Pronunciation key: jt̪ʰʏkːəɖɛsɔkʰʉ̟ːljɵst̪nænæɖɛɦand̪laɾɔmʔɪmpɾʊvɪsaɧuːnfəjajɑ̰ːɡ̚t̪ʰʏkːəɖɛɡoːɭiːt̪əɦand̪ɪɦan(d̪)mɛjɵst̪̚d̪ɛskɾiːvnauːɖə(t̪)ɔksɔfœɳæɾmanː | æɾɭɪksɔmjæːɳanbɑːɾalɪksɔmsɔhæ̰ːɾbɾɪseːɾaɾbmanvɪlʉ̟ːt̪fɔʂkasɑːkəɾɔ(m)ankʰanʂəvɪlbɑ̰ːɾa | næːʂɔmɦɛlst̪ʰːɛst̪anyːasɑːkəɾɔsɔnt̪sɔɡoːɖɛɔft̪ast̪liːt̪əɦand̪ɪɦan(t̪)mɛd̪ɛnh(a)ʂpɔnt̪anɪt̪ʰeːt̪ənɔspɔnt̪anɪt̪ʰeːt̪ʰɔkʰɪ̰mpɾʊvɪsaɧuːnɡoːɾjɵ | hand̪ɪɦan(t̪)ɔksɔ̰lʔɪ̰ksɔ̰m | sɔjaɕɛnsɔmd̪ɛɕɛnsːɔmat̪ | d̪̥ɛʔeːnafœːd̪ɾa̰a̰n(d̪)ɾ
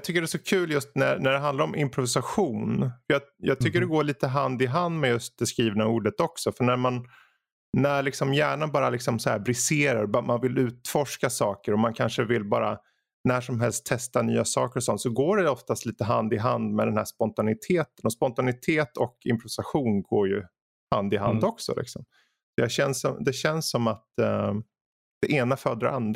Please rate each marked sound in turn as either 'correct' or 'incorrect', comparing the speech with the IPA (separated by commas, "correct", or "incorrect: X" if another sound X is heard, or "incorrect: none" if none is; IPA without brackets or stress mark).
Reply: correct, correct, correct, incorrect: d̪, incorrect: æ, incorrect: d̪, correct